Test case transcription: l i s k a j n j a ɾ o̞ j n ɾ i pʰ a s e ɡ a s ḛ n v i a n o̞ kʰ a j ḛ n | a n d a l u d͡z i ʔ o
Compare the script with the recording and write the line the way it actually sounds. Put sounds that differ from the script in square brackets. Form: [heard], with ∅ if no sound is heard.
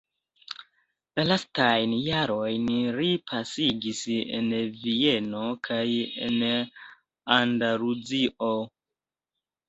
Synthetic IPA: l [a] s [t] a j n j a ɾ o̞ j n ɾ i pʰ a s [i] ɡ [i] s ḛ n v i [e] n o̞ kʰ a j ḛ n | a n d a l u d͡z i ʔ o